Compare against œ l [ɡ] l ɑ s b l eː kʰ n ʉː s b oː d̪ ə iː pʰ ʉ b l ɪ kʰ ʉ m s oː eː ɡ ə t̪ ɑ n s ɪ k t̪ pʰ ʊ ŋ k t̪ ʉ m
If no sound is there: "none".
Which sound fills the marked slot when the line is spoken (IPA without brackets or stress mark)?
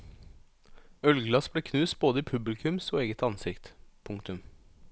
ɡ